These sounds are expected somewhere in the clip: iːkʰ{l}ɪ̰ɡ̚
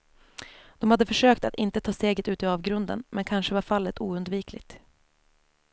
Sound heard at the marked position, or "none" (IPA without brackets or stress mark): l